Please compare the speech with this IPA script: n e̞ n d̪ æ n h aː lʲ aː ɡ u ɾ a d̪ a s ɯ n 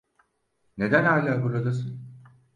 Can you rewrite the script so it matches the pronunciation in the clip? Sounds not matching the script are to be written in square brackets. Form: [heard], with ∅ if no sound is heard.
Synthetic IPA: n e̞ [∅] d̪ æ n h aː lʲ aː [b] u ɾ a d̪ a s ɯ n

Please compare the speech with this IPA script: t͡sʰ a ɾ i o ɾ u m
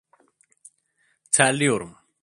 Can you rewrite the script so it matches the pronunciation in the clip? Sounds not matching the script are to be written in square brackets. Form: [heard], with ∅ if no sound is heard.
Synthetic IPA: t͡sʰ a [l] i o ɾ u m

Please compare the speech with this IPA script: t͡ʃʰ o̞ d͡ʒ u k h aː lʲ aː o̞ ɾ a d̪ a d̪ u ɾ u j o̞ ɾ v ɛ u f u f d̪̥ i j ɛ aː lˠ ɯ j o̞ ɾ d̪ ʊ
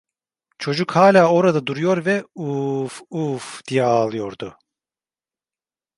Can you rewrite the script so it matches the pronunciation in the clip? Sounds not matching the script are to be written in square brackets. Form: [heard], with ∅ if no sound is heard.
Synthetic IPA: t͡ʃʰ o̞ d͡ʒ u k h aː lʲ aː o̞ ɾ a d̪ a d̪ u ɾ u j o̞ ɾ v ɛ u f u f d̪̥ i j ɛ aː lˠ ɯ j o̞ ɾ d̪ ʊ

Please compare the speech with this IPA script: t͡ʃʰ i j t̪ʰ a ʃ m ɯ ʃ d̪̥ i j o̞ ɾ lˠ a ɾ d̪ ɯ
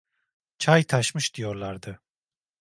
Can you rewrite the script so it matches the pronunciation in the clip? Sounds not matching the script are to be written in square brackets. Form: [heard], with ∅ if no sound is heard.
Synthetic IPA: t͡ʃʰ [a] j t̪ʰ a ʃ m ɯ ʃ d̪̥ i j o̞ ɾ lˠ a ɾ d̪ ɯ

